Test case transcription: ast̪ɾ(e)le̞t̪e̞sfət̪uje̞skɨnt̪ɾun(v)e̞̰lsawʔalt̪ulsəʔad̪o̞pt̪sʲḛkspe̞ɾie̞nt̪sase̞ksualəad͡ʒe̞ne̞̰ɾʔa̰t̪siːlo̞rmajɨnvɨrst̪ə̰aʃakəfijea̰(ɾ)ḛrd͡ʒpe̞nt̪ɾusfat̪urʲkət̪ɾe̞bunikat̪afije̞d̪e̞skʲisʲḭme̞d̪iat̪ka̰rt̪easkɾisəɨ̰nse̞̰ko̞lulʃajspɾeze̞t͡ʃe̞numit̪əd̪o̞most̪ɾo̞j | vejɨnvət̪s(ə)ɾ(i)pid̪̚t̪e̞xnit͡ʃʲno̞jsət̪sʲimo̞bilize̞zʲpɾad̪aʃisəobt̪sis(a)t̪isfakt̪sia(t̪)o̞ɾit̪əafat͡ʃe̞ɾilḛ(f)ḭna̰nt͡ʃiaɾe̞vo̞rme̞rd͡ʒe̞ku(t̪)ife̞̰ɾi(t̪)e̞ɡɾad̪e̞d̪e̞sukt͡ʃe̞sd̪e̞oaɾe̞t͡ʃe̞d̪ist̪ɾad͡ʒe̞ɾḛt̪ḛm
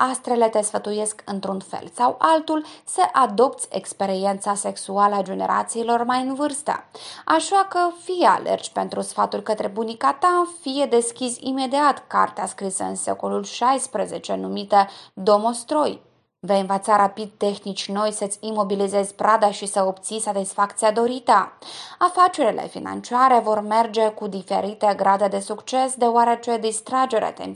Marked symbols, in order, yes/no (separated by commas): yes, no, no, no, no, yes, no, yes, no, yes